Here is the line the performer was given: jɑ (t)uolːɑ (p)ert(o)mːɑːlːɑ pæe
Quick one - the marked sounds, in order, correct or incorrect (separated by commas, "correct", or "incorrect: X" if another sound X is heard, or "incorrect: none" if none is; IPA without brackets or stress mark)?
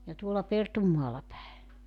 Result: correct, correct, incorrect: u